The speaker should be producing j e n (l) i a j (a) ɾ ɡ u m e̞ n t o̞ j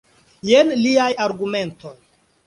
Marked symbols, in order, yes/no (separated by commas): yes, yes